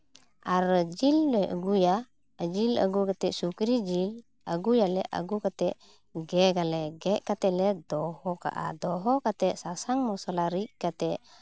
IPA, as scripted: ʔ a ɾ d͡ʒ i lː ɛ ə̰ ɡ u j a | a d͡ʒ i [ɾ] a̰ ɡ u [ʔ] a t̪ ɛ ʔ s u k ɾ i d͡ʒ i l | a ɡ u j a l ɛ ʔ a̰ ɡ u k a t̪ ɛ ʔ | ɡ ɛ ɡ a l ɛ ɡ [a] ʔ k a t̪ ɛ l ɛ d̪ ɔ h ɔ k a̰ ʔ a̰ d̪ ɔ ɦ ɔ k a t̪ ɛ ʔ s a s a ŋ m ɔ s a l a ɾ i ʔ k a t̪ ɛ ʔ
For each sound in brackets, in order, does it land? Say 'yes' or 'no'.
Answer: no, no, no

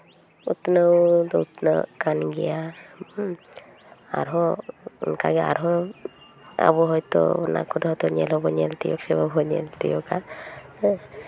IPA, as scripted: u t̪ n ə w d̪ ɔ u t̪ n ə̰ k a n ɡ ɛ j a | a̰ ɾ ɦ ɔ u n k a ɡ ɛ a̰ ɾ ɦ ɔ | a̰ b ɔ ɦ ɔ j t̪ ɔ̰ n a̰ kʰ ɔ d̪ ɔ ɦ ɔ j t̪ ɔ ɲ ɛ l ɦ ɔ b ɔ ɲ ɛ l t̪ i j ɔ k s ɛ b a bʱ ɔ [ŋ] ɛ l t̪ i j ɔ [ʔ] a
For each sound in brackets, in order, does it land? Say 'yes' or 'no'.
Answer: no, no

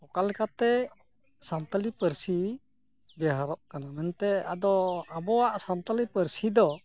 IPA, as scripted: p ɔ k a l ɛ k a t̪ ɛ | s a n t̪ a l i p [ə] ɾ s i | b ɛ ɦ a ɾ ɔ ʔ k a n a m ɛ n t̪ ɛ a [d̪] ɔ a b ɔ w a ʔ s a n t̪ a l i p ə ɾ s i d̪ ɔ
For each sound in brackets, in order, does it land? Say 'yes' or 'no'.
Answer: yes, yes

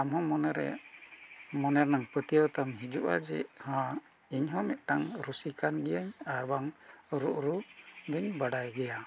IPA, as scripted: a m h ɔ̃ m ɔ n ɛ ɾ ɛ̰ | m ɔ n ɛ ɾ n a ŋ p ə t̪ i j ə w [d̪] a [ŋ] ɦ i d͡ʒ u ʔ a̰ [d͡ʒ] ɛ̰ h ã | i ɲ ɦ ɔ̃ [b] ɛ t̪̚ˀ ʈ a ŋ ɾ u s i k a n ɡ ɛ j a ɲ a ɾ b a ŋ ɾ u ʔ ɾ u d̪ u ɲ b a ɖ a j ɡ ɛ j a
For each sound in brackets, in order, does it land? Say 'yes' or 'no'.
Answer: no, no, yes, no

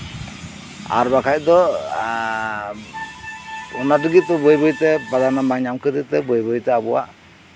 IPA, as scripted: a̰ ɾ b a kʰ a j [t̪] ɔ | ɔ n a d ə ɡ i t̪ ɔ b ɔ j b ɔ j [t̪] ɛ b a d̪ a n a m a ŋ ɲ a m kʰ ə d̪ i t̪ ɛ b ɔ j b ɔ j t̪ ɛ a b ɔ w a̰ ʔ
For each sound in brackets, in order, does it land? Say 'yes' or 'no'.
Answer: no, yes

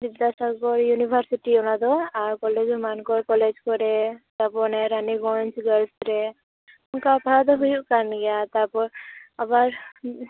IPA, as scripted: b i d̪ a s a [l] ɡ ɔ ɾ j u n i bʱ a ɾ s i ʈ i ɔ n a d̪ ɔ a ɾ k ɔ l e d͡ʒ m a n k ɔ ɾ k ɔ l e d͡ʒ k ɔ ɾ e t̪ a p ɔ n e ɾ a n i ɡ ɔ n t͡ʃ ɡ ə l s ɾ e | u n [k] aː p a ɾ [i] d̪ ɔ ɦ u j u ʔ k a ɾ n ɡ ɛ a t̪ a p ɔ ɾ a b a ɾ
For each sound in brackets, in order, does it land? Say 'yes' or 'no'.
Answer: no, yes, no

